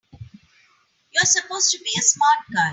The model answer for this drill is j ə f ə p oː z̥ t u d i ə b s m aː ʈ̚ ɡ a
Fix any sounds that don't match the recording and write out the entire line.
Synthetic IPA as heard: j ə s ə p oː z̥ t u b i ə s m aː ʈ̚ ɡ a